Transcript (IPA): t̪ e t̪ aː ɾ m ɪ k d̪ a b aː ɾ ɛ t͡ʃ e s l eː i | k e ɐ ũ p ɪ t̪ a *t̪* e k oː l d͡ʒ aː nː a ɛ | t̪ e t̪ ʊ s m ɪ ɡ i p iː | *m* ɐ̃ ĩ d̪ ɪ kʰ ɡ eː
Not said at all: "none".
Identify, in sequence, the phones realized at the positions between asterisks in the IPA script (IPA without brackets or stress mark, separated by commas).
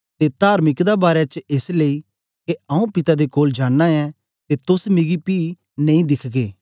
d̪, n